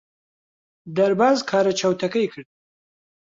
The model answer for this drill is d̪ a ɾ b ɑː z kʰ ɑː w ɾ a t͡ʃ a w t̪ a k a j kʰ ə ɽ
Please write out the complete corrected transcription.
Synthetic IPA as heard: d̪ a ɾ b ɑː z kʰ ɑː ɾ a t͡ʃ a w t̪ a k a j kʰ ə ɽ